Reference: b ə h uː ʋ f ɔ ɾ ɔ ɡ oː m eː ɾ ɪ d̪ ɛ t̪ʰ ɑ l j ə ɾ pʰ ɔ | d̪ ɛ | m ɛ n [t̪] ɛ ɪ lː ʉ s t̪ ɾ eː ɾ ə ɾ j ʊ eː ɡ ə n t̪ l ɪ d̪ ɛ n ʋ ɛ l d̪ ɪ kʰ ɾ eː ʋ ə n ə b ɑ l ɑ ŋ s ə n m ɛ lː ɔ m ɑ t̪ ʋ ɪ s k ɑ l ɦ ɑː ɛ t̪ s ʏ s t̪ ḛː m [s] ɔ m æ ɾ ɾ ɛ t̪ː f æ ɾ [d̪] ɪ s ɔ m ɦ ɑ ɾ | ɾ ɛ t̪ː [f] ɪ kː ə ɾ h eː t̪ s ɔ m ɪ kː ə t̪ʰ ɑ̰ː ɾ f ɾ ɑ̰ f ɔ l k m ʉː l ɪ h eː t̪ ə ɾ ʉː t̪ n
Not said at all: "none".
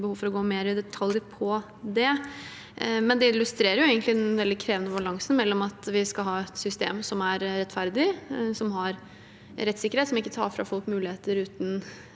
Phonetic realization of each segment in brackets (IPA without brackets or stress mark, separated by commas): d̪, s, d̪, s